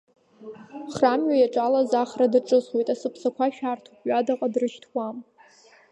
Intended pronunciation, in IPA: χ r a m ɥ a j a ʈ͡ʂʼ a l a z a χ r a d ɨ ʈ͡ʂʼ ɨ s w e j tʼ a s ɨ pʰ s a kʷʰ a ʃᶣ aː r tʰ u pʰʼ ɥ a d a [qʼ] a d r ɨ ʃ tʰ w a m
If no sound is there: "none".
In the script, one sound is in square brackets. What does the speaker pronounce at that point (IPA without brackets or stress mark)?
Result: qʼ